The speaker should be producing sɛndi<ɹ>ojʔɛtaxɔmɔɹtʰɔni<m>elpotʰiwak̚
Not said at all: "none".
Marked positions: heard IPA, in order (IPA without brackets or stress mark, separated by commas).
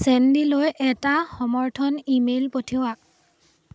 l, m